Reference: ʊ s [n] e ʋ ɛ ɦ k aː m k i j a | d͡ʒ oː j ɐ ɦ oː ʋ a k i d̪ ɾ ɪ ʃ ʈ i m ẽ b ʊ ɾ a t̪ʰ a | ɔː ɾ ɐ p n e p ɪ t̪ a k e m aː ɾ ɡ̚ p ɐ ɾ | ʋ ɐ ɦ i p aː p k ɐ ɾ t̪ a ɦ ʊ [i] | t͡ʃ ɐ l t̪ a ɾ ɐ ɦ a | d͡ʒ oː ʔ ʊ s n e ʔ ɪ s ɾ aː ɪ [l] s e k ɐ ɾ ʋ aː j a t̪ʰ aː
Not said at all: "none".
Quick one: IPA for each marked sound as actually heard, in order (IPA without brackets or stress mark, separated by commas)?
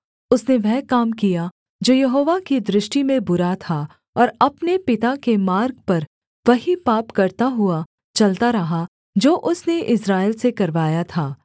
n, a, l